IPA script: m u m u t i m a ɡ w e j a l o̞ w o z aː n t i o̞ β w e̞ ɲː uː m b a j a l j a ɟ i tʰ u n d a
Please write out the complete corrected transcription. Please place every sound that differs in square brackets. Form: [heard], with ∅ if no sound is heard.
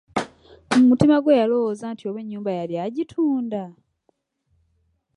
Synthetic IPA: m u m u t i m a ɡ w e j a l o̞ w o z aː n t i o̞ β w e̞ ɲː uː m b a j a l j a ɟ i tʰ [uː] n d a